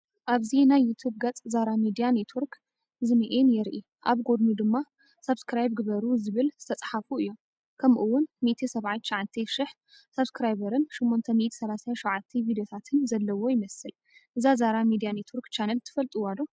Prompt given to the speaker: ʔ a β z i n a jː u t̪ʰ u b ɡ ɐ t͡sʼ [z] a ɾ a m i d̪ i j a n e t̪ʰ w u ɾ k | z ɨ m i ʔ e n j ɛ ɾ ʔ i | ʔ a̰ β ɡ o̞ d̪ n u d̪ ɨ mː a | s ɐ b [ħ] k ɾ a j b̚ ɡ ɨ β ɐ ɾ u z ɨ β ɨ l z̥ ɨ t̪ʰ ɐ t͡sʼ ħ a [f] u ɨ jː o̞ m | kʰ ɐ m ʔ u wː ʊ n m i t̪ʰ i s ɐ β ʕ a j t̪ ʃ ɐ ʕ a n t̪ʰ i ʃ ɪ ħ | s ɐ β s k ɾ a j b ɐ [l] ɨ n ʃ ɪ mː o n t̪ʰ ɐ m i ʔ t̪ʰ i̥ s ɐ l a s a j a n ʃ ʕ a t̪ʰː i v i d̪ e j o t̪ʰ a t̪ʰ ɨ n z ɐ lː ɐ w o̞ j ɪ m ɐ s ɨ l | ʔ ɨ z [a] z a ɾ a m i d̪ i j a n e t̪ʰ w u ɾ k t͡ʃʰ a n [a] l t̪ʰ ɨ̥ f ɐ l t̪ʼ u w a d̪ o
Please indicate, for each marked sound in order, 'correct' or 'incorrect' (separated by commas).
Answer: correct, incorrect, correct, incorrect, correct, incorrect